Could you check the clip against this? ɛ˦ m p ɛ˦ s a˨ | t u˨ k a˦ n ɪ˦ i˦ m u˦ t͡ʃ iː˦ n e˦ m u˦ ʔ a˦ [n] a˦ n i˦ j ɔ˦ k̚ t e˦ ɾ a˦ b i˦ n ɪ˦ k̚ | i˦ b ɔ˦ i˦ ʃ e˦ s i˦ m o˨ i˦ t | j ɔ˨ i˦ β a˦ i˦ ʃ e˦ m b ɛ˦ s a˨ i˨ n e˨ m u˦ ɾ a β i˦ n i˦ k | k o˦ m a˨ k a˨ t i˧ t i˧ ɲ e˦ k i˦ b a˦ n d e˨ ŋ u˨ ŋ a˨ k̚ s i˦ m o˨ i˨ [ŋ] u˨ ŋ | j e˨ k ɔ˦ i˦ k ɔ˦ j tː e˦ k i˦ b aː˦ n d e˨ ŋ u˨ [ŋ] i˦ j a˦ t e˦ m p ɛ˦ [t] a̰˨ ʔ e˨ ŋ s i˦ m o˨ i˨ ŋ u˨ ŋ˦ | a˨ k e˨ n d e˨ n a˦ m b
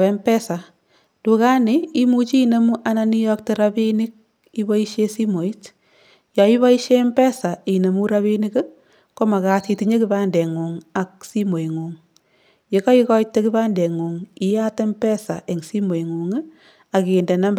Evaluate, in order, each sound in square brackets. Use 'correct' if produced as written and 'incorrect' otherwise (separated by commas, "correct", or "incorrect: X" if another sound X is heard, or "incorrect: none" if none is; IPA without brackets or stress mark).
correct, correct, correct, incorrect: s